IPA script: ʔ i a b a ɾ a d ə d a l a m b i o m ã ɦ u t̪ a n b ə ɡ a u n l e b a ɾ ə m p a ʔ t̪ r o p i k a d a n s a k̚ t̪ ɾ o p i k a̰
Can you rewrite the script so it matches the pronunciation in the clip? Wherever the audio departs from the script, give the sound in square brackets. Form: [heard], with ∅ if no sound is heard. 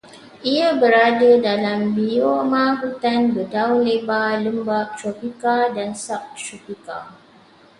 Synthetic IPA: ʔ i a b [ə] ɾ a d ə d a l a m b i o m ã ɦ u t̪ a n b ə [d] a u n l e b a [l] ə m [b] a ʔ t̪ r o p i k a d a n s a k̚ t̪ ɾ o p i k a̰